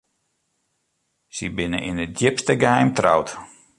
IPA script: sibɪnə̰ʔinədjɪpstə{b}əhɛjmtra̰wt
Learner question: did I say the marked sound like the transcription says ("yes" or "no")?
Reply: no